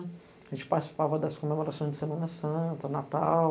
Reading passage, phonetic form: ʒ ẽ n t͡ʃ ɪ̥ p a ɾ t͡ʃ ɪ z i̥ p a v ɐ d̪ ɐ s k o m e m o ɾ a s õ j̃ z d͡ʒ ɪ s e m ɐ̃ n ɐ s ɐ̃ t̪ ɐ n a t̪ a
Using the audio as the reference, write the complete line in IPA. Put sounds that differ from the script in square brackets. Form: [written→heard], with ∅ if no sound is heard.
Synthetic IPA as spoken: ʒ ẽ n t͡ʃ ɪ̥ p a ɾ t͡ʃ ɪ [z→s] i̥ p a v ɐ d̪ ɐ s k o m e m o ɾ a s õ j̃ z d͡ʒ ɪ s e m ɐ̃ n ɐ s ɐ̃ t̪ ɐ n a t̪ a